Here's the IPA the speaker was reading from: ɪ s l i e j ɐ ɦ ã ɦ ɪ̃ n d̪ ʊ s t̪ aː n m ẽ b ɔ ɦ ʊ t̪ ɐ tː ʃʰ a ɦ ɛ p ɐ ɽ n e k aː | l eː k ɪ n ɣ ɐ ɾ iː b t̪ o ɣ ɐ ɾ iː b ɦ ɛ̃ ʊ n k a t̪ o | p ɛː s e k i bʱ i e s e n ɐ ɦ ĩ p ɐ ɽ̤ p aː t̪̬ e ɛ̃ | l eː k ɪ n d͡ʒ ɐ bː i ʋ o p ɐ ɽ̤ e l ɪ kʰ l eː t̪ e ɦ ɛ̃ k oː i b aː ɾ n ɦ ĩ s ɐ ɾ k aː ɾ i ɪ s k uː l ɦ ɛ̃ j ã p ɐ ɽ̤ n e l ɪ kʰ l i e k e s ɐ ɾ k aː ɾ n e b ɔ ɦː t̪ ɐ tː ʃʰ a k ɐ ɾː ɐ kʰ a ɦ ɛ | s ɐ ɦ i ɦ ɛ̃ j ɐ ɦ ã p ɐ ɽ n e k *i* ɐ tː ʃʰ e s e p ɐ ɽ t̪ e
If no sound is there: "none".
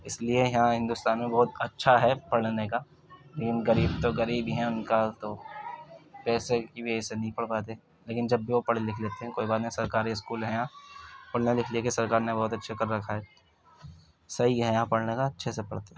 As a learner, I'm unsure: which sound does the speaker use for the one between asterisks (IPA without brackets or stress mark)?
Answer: a